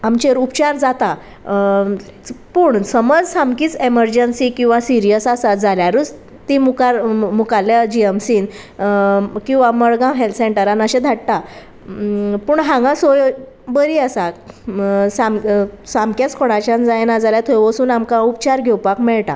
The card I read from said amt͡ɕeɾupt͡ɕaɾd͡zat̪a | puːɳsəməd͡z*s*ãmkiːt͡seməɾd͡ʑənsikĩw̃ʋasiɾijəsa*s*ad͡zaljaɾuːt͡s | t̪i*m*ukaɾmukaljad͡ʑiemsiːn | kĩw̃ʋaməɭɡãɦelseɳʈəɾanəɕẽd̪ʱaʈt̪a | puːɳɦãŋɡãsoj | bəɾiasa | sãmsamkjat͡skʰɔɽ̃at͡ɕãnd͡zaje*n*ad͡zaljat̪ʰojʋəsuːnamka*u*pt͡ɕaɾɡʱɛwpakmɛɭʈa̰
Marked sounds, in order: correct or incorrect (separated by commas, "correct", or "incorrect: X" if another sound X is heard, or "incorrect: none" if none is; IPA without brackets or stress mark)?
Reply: correct, correct, correct, correct, correct